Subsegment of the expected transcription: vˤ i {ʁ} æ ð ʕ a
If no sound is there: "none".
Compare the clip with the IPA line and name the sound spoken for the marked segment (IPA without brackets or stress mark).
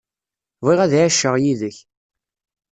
ʁ